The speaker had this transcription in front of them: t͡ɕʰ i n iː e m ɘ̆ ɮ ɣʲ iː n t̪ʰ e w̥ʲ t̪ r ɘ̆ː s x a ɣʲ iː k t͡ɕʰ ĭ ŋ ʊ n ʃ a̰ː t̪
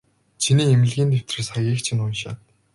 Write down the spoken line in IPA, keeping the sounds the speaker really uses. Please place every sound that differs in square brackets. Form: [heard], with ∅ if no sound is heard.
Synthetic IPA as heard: t͡ɕʰ i n iː e m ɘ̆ ɮ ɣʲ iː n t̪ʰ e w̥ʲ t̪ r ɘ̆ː s [χ] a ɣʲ iː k t͡ɕʰ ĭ [n] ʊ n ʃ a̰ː t̪